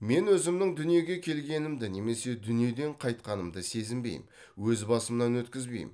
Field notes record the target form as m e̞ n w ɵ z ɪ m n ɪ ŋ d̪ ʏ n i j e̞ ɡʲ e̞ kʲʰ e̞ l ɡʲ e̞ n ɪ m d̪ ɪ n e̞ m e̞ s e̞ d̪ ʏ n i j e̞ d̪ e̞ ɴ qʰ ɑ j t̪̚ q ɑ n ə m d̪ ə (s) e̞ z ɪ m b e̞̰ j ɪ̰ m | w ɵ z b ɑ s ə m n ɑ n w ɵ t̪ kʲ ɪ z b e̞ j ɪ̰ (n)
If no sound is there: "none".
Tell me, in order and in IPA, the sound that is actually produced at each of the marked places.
s, m

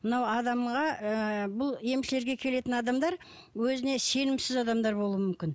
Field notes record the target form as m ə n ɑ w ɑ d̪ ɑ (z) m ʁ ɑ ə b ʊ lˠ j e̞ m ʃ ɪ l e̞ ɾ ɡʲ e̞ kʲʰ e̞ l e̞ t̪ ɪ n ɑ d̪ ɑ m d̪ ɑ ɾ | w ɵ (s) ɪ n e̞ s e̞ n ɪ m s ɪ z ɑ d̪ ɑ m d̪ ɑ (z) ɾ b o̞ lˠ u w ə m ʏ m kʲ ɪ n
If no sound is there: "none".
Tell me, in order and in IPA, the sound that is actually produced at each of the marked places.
none, z, none

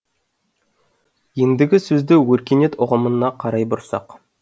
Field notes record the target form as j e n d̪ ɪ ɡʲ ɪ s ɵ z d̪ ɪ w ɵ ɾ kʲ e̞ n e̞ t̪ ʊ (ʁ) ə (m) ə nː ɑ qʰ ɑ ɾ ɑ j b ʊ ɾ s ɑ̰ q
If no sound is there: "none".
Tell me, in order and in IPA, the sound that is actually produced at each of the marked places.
ʁ, m

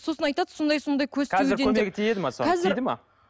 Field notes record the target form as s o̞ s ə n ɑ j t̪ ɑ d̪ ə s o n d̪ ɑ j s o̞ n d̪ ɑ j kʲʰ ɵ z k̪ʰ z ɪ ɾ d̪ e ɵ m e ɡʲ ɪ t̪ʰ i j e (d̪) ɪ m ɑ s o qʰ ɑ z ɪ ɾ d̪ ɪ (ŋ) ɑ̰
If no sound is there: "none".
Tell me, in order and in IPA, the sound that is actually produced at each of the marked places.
d̪, m

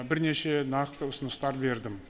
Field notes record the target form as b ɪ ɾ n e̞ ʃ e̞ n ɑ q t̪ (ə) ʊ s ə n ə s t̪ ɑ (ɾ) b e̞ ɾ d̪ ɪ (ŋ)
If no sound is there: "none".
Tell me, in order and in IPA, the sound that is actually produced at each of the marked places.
ə, ɾ, m

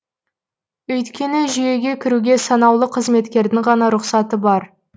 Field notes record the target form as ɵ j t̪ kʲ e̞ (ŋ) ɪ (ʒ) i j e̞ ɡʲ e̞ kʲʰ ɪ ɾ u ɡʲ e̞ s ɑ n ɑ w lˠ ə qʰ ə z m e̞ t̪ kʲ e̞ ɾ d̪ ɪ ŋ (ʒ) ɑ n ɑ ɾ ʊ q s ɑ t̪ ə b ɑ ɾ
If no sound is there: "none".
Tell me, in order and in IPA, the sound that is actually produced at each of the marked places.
n, ʒ, ʁ

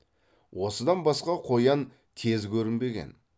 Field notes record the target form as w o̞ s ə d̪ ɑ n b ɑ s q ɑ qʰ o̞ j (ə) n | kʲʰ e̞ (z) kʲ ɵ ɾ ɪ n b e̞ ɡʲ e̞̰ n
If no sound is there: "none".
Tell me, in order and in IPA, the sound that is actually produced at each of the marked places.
ɑ, z

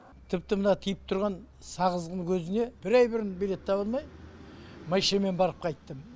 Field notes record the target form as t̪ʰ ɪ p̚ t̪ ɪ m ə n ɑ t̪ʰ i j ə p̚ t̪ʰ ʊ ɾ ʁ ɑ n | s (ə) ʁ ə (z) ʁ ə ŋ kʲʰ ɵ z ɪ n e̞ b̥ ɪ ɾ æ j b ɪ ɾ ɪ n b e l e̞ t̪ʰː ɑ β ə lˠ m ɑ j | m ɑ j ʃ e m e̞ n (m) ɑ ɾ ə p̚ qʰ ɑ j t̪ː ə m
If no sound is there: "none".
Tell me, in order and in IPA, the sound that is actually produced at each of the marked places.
ɑ, z, b

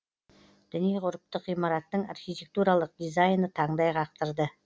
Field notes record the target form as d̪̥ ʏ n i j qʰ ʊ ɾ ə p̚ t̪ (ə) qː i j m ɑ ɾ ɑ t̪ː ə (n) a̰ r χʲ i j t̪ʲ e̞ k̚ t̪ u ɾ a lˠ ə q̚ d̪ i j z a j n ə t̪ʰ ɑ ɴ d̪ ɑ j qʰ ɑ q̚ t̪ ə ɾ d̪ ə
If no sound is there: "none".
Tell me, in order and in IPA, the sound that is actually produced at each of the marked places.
ə, ɴ

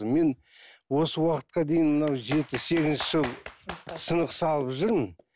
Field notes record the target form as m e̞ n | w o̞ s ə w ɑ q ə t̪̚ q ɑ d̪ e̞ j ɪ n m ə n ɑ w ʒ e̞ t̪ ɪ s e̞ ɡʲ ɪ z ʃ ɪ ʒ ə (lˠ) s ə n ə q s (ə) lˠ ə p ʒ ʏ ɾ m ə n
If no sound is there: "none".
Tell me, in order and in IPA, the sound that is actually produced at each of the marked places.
lˠ, ɑ

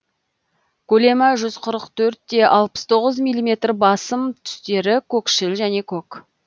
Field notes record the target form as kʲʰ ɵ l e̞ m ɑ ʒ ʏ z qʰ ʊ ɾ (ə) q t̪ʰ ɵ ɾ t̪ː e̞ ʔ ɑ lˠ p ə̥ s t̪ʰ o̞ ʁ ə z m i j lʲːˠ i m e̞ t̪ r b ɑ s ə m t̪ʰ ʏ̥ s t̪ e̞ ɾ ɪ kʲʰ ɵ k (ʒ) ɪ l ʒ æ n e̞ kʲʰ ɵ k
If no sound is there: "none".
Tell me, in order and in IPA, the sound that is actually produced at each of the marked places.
ə, ʃ

